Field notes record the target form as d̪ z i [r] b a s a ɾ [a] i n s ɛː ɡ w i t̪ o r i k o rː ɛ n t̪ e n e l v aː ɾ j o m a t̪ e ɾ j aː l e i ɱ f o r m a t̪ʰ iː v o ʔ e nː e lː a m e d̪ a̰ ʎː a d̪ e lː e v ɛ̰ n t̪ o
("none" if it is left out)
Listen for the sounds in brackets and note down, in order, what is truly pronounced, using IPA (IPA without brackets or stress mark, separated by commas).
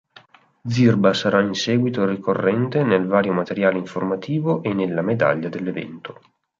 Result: r, a